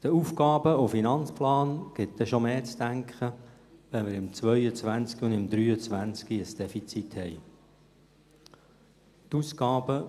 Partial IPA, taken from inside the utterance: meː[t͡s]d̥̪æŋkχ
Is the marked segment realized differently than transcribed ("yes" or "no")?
no